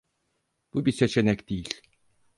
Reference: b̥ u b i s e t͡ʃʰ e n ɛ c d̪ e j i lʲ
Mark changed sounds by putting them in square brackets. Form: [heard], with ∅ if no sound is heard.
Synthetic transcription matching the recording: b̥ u b i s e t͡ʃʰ e n ɛ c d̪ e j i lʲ